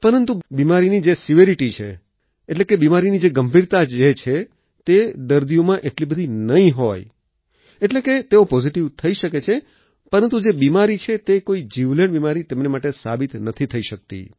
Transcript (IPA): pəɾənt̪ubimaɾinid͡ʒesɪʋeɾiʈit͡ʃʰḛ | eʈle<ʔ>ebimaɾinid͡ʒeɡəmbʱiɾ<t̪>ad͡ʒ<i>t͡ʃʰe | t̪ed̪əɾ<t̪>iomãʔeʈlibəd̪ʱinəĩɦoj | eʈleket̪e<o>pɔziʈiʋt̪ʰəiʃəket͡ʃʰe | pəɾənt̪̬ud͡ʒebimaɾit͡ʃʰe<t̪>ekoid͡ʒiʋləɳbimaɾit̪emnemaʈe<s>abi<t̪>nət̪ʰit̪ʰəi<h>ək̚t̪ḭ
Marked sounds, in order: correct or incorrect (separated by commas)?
incorrect, correct, incorrect, incorrect, correct, correct, correct, correct, incorrect